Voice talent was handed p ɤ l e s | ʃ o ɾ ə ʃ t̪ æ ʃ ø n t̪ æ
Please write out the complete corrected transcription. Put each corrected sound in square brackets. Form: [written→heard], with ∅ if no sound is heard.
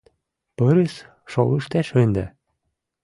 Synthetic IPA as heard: p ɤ [l→ɾ] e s | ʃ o [ɾ→l] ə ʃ t̪ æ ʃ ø n [t̪→d̪] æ